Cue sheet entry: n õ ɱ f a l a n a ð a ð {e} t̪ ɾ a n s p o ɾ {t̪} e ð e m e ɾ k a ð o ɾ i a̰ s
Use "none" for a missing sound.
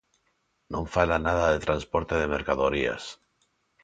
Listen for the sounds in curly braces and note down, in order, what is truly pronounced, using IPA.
e, t̪

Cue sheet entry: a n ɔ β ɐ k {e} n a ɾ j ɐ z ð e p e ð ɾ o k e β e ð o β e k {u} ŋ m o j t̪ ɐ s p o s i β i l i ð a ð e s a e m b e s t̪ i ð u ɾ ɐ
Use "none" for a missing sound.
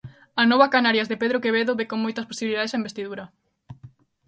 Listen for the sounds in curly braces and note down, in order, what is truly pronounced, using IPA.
a, o

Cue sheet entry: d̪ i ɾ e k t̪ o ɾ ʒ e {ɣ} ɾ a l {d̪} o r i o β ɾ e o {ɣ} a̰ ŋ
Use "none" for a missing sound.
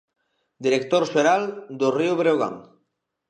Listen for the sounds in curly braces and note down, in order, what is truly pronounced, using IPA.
none, d̪, ɣ

